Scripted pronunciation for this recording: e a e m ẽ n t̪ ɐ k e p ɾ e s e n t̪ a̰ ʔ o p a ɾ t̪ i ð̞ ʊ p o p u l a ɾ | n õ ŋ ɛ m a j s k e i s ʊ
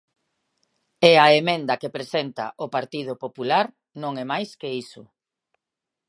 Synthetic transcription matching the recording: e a e m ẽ n d̪ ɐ k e p ɾ e s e n t̪ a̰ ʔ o p a ɾ t̪ i ð̞ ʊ p o p u l a ɾ | n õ ŋ ɛ m a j s k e i s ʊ